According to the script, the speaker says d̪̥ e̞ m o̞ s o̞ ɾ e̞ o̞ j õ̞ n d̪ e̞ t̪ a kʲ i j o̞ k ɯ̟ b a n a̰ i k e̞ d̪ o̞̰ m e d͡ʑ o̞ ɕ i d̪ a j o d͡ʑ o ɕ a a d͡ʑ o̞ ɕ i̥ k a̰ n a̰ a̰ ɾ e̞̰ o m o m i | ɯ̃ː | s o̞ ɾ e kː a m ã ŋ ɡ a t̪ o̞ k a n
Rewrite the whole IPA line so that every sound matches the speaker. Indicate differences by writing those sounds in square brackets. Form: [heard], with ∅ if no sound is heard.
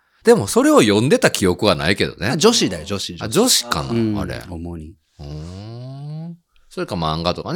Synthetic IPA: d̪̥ e̞ m o̞ s o̞ ɾ e̞ o̞ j õ̞ n d̪ e̞ t̪ a kʲ i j o̞ k ɯ̟ [β] a n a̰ i k e̞ d̪ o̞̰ [n] e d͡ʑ o̞ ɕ i d̪ a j o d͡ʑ o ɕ [i] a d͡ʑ o̞ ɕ i̥ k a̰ n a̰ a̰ ɾ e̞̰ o m o [ɲ] i | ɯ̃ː | s o̞ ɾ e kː a m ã ŋ ɡ a t̪ o̞ k a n